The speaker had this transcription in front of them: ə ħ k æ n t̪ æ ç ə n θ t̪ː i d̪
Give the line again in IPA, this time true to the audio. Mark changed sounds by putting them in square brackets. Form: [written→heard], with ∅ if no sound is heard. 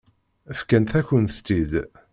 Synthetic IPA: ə [ħ→f] k æ n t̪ æ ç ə n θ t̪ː i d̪